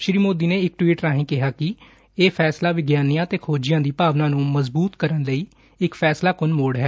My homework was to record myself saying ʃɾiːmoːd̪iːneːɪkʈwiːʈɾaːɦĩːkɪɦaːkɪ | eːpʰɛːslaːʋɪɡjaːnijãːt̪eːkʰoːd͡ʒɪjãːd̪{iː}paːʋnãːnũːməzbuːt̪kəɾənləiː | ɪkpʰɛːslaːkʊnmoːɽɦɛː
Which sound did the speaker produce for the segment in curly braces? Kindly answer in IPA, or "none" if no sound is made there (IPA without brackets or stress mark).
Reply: iː